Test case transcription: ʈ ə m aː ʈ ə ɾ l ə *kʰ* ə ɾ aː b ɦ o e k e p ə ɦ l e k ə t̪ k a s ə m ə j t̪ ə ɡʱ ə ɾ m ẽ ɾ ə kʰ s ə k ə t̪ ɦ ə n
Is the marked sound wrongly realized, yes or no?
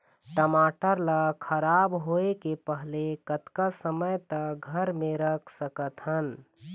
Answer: no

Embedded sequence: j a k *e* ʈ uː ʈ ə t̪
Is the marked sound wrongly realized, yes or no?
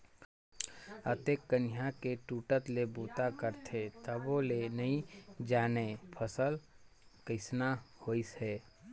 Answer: no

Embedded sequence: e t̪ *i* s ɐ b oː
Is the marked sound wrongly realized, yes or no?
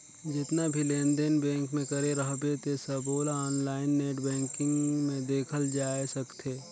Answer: yes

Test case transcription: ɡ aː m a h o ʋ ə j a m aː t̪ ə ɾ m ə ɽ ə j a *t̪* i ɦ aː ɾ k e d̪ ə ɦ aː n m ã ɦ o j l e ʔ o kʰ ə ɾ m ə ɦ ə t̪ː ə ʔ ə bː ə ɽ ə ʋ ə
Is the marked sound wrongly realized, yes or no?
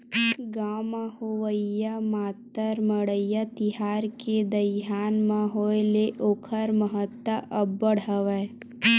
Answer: no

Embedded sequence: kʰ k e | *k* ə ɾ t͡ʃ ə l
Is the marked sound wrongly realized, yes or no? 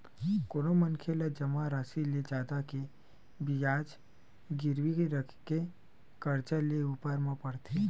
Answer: no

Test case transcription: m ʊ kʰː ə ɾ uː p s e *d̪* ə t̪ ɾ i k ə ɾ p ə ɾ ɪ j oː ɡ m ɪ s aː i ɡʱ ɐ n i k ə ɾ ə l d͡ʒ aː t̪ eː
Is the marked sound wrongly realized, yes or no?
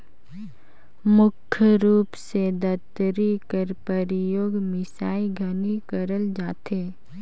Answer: no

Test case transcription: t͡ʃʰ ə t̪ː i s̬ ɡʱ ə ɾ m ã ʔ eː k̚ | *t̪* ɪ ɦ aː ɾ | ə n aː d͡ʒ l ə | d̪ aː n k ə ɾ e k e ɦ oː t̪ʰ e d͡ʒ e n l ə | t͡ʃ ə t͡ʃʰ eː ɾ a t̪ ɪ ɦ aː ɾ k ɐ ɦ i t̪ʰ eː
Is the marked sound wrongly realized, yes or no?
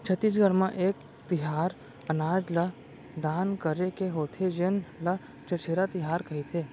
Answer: no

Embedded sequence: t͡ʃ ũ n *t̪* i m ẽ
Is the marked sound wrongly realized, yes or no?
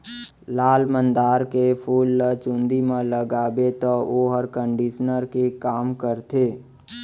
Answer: yes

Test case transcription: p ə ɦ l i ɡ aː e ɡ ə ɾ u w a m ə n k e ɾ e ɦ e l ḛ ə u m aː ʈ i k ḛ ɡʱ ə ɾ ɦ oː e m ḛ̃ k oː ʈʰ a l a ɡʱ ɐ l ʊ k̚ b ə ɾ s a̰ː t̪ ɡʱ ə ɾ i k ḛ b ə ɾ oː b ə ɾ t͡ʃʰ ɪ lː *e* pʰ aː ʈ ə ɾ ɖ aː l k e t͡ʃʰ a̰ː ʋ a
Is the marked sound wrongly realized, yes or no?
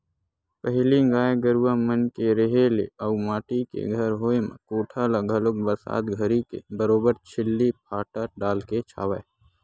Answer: yes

